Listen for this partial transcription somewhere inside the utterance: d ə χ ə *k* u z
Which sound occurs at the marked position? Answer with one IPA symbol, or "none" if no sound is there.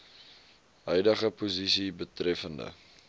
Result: p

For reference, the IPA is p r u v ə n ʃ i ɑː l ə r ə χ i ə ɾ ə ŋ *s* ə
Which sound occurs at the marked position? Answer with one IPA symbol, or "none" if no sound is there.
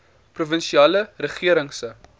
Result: s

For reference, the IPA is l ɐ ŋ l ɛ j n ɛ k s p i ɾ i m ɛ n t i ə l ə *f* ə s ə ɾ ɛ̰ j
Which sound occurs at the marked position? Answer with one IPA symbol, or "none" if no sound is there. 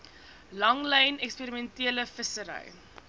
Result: f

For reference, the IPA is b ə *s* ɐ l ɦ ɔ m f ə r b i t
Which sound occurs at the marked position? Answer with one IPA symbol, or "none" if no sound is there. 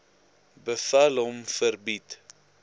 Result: f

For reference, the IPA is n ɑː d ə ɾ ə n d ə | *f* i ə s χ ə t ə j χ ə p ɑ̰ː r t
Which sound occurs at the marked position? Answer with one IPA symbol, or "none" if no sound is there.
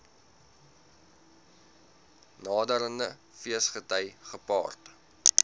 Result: f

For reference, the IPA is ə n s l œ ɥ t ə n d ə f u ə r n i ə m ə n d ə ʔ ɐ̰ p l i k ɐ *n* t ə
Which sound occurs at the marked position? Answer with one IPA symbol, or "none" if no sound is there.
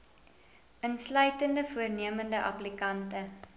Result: n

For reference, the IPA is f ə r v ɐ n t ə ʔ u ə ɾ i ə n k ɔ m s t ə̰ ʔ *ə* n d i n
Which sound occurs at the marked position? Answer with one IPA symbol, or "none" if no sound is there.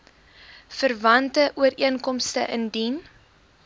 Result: ə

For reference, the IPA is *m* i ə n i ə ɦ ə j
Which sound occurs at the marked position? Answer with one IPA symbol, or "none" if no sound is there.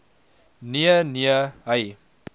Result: n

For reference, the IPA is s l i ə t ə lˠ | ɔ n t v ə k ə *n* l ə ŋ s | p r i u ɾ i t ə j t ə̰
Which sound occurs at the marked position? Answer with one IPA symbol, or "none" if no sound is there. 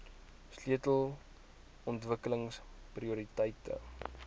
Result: none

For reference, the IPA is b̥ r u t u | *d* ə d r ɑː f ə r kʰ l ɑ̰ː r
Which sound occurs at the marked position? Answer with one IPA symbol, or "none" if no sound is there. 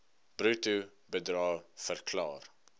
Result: b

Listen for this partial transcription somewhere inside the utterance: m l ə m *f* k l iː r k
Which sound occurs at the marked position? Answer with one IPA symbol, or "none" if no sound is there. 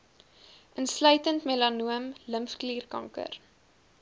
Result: f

